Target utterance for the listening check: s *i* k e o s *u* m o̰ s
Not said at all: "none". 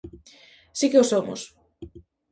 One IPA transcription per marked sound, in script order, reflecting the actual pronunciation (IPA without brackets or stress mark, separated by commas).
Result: i, o